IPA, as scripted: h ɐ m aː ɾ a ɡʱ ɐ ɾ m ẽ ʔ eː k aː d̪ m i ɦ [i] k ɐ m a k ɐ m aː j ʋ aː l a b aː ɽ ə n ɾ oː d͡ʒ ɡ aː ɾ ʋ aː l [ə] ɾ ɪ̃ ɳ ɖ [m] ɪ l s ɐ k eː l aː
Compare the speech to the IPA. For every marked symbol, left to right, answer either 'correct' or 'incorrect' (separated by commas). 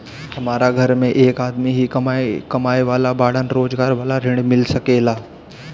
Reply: correct, incorrect, correct